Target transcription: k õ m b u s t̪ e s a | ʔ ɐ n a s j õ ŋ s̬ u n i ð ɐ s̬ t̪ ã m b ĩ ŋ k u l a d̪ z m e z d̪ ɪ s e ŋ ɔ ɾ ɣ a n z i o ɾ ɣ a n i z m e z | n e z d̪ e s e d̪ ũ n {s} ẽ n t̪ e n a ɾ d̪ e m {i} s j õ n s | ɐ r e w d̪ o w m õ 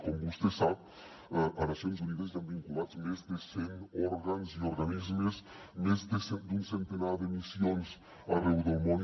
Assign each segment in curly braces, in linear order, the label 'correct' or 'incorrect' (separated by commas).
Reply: correct, correct